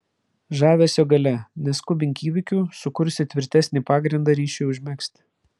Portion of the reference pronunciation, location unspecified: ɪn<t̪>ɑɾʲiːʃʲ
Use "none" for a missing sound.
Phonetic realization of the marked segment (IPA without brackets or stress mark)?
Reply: d̪